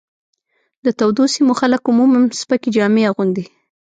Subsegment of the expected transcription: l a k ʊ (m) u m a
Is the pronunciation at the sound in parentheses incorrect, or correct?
correct